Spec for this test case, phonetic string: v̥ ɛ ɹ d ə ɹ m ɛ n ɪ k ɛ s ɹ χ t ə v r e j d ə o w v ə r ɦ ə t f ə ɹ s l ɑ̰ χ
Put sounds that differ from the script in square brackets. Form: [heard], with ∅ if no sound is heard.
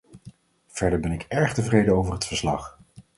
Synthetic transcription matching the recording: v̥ ɛ ɹ d ə ɹ [b] ɛ n ɪ k ɛ [∅] ɹ χ t ə v r e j d ə o w v ə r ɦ ə t f ə ɹ s l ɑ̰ χ